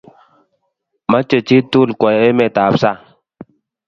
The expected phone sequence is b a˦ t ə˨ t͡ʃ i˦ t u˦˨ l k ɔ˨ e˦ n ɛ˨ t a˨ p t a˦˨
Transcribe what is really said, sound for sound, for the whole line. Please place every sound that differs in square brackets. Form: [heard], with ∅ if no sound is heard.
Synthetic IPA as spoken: [m] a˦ [t͡ʃ] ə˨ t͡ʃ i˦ t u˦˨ l k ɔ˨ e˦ [m] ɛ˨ t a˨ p [s] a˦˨